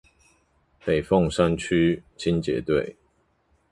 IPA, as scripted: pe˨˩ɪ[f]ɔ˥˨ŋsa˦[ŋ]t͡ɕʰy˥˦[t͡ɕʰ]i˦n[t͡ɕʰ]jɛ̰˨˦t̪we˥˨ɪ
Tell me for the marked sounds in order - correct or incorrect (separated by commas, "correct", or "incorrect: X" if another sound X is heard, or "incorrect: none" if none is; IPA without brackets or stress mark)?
correct, incorrect: n, correct, incorrect: t͡ɕ